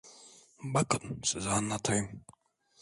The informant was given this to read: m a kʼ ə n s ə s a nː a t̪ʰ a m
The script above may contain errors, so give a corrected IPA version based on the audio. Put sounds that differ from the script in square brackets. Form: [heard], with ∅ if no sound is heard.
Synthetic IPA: [b] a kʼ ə n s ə [z] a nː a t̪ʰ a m